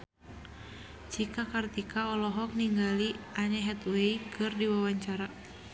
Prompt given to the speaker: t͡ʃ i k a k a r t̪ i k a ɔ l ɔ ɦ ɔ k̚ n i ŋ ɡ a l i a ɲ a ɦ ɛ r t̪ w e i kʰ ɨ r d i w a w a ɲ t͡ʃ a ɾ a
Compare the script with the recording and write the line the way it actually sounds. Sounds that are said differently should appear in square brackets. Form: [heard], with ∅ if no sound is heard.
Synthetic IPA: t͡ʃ i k a k a r t̪ i k a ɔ l ɔ ɦ ɔ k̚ n i ŋ ɡ a l i a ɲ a ɦ ɛ [∅] t̪ w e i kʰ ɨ r d i w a w a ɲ t͡ʃ a ɾ a